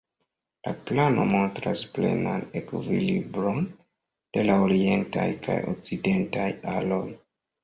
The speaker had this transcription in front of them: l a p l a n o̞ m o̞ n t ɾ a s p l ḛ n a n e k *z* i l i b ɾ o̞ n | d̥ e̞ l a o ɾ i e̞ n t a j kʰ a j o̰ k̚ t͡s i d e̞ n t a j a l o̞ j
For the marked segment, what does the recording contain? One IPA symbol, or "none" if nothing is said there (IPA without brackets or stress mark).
v